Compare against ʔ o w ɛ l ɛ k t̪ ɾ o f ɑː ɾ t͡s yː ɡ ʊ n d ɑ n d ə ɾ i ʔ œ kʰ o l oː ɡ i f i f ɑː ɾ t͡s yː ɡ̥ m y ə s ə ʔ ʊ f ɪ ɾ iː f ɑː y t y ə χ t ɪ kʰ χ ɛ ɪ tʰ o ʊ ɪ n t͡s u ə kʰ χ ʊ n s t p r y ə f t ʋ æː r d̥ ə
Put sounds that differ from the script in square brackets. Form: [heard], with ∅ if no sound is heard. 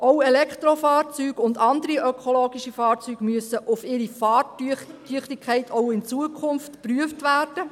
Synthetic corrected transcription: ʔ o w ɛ l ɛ k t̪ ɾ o f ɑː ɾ t͡s yː ɡ ʊ n d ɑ n d ə ɾ i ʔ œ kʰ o l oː ɡ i [ʃ] i f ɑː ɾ t͡s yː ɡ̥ m y ə s ə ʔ ʊ f ɪ ɾ [i] f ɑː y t y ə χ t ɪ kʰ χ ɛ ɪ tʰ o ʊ ɪ n t͡s u ə kʰ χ ʊ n [f] t p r y ə f t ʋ æː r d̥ ə